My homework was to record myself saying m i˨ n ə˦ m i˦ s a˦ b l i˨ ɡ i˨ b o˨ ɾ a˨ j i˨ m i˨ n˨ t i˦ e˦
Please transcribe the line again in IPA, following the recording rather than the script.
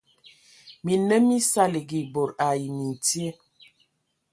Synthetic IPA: m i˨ n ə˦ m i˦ s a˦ l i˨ ɡ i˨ b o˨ ɾ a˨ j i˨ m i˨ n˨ t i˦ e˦